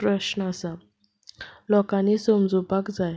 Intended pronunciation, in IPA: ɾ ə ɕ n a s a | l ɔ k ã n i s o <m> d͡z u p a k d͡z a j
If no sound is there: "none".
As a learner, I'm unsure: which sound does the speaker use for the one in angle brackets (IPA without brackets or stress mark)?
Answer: m